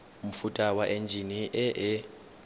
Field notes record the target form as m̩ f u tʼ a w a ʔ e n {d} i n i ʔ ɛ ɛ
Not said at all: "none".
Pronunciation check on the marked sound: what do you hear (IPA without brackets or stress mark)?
d͡ʒʱ